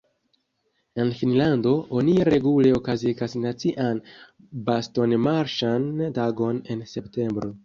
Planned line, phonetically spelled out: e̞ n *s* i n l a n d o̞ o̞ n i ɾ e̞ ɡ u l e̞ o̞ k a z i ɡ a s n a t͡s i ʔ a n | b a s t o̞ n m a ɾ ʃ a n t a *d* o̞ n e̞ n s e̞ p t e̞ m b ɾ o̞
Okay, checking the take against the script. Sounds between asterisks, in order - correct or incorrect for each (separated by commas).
incorrect, incorrect